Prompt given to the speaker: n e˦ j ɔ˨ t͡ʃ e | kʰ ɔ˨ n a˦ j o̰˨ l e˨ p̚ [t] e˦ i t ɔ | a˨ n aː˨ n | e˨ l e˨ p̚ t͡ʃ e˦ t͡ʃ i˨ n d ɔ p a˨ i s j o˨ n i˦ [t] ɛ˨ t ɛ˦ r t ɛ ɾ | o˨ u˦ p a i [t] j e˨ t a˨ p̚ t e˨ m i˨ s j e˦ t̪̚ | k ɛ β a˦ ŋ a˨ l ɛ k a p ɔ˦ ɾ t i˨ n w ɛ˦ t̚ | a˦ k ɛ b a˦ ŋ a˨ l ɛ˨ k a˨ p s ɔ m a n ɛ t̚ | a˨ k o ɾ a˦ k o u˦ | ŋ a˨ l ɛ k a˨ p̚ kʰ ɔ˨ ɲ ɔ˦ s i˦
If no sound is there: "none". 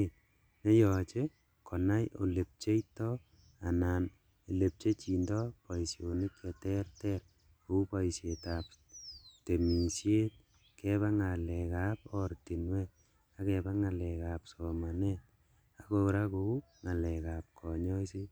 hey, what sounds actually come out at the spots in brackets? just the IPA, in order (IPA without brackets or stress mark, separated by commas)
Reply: t͡ʃ, k, s